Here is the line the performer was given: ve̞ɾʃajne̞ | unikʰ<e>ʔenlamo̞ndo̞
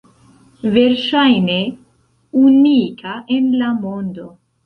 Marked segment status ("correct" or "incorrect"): incorrect